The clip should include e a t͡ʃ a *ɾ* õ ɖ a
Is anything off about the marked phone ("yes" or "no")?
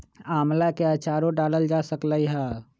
no